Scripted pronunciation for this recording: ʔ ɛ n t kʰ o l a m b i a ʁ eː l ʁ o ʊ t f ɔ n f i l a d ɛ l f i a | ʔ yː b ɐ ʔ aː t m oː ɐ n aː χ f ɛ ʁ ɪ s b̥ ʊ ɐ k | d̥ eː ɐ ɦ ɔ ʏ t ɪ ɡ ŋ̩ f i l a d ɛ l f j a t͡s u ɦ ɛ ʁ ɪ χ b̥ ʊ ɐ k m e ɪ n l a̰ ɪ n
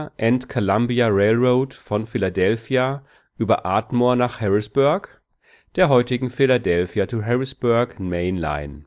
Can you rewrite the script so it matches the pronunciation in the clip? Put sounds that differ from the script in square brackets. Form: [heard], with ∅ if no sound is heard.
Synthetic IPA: ʔ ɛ n t kʰ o l a m b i a ʁ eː l ʁ o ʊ t f ɔ n f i l a d ɛ l f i a | ʔ yː b ɐ ʔ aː t m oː ɐ n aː χ [h] ɛ ʁ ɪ s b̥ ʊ ɐ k | d̥ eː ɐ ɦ ɔ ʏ t ɪ ɡ ŋ̩ f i l a d ɛ l f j a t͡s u ɦ ɛ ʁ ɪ [s] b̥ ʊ ɐ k m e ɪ n l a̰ ɪ n